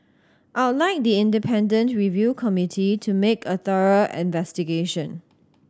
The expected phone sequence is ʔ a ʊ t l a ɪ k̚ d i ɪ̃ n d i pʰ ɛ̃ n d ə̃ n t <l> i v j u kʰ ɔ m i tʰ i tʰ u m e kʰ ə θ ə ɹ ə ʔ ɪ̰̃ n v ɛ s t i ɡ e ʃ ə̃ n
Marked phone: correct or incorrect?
incorrect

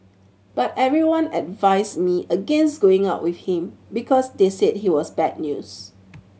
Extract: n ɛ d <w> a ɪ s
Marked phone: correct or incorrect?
incorrect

